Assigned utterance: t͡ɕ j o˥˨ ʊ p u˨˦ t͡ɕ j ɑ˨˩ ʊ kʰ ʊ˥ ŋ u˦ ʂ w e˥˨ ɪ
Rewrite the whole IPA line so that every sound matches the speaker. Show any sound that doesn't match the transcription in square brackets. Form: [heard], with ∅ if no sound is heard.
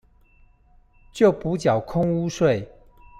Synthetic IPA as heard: t͡ɕ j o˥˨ ʊ p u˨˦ t͡ɕ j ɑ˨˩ ʊ kʰ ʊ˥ ŋ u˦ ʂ w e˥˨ ɪ